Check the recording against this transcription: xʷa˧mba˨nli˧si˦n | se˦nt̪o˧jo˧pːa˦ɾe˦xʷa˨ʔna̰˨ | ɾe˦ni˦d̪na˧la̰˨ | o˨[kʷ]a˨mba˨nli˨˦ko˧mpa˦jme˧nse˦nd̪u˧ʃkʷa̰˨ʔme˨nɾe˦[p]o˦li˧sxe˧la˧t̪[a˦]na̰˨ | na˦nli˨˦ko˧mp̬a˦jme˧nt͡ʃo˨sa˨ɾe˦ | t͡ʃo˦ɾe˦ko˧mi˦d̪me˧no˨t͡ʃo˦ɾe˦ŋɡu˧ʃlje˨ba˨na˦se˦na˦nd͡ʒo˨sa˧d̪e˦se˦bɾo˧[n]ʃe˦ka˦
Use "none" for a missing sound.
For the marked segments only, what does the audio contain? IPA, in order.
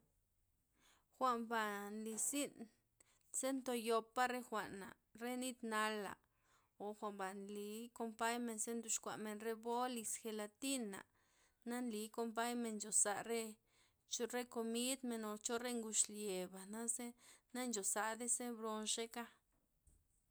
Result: xʷ, b, i˦, n

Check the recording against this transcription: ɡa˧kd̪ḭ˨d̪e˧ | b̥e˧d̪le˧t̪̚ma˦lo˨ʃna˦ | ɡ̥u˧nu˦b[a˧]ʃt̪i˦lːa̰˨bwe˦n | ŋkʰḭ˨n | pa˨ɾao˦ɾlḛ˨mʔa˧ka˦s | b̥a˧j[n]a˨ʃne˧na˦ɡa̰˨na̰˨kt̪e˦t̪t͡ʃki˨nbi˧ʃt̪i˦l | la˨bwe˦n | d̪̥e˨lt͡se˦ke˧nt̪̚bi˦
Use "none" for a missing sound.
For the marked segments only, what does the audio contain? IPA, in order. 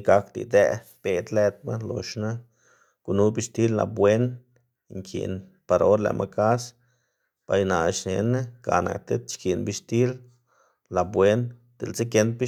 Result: i˧, n

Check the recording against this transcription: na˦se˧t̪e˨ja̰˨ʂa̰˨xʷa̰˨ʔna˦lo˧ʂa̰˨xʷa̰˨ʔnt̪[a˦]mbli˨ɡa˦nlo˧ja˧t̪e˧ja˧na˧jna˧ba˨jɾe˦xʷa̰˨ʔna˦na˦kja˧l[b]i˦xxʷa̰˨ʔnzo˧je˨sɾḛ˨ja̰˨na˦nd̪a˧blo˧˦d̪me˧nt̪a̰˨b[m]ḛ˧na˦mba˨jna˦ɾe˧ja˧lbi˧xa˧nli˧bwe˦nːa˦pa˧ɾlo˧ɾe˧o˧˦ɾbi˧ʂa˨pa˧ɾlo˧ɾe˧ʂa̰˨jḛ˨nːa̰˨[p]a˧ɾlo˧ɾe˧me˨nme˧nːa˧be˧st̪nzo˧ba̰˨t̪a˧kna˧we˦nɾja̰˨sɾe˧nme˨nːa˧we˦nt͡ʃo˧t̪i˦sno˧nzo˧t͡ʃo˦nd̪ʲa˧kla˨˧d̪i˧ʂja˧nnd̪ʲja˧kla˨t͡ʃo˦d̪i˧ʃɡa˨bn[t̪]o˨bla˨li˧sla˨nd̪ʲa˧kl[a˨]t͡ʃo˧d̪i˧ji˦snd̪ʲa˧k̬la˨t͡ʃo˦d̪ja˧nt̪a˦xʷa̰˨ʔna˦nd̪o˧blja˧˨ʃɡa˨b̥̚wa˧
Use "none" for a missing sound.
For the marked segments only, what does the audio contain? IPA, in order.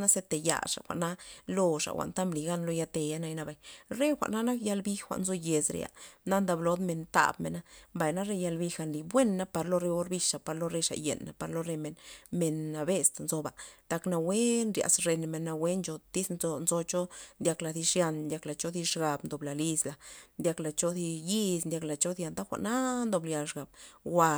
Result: a˦, b, m, p, d̪, a˨

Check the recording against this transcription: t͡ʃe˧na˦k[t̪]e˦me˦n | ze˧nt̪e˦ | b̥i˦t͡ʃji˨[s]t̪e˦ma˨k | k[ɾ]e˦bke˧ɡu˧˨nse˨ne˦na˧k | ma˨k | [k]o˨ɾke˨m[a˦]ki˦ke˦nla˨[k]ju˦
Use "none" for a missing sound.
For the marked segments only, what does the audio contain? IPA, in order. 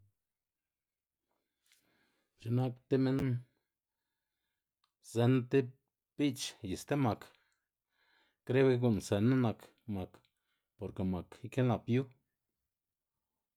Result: t̪, s, ɾ, p, a˨, p

